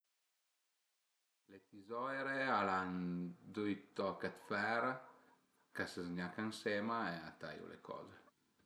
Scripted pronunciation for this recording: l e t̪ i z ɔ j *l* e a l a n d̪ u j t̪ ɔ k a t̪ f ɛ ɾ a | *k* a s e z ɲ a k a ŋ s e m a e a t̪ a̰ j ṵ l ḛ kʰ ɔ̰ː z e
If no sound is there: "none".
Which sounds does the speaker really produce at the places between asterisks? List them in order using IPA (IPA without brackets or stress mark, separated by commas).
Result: ɾ, k